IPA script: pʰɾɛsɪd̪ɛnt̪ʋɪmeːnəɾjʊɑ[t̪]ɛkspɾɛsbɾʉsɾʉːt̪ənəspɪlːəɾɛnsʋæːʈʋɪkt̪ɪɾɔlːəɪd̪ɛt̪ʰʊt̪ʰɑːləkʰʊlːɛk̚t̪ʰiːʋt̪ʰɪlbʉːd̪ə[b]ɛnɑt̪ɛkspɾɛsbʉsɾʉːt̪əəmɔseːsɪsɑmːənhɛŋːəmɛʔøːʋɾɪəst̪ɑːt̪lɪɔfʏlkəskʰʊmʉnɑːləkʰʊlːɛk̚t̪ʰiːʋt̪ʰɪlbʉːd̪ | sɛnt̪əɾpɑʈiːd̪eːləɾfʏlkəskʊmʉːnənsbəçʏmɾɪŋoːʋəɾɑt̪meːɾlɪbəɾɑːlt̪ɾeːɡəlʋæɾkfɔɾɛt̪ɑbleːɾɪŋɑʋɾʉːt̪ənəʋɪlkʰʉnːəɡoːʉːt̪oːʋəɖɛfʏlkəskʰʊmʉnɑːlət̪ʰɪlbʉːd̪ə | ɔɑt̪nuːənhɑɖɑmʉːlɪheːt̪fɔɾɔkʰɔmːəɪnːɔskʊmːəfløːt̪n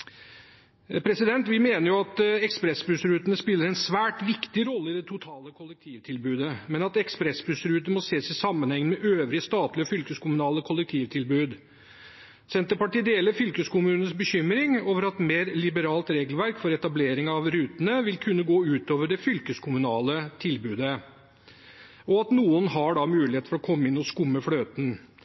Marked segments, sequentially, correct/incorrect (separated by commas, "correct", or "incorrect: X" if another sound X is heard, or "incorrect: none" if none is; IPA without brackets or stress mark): correct, incorrect: m